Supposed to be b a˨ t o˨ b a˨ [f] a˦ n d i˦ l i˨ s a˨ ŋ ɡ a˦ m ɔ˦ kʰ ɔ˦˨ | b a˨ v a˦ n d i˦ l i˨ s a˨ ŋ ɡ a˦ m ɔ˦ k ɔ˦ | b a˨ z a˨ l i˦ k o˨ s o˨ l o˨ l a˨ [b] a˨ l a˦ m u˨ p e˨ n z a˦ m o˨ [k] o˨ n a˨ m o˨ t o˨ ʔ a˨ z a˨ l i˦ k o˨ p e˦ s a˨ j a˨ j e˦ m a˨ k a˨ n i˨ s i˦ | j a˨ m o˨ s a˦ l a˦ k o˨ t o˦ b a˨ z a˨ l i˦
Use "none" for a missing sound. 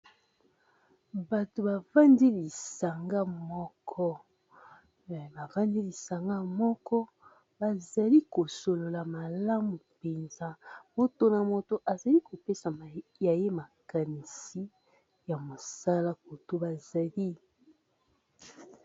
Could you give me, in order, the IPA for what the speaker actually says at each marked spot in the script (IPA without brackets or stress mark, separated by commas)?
v, m, t